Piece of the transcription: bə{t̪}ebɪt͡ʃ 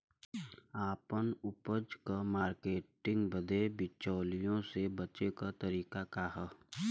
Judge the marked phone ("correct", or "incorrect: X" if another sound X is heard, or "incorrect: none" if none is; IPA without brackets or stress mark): incorrect: d̪